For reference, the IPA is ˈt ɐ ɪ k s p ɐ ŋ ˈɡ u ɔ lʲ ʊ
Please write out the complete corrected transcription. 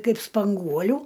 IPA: ˈk ɐ ɪ p s p ɐ ŋ ˈɡ u ɔ lʲ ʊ